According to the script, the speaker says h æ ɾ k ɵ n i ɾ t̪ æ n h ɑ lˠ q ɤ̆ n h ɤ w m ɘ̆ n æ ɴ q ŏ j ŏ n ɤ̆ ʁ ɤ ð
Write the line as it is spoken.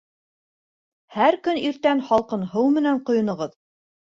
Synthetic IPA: h æ ɾ k ɵ n i ɾ t̪ æ n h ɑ lˠ q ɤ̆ n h ɤ w m ɘ̆ n æ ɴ q ŏ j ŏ n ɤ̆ ʁ ɤ ð